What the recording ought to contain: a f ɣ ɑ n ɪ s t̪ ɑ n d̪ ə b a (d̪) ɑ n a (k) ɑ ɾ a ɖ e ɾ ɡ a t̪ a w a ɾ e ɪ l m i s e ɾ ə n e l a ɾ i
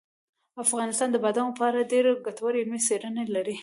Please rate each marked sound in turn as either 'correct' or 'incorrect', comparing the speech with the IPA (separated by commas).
correct, incorrect